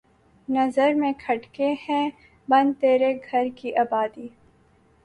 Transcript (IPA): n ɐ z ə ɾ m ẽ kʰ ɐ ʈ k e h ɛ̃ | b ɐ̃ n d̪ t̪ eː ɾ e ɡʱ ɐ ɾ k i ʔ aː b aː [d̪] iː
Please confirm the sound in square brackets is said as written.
yes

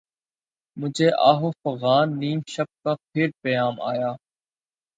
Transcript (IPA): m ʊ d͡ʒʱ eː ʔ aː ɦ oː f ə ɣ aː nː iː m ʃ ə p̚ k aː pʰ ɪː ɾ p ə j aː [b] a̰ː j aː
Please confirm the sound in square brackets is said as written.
no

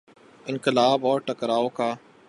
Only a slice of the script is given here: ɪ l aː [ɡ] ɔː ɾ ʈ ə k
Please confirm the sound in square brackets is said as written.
no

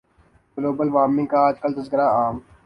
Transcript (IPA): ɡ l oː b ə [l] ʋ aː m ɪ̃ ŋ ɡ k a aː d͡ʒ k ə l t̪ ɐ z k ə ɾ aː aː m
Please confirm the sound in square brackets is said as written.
yes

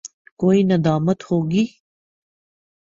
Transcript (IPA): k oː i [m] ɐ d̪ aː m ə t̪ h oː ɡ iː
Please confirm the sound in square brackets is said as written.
no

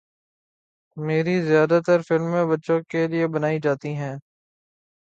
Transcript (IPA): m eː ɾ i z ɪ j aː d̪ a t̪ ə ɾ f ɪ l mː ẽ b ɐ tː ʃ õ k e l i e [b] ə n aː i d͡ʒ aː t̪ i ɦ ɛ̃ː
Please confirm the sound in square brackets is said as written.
yes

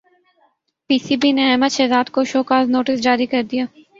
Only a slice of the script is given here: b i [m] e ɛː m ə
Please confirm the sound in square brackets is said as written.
no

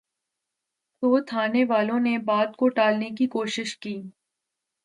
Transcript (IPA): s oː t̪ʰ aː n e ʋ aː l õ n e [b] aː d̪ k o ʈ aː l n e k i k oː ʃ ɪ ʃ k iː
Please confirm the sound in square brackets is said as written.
yes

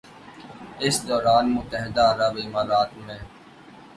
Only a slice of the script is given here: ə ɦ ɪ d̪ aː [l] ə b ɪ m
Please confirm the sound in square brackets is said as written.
no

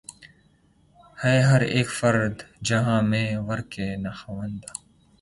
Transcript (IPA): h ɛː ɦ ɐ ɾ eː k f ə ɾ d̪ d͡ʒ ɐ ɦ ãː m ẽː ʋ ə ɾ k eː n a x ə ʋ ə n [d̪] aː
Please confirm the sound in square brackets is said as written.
yes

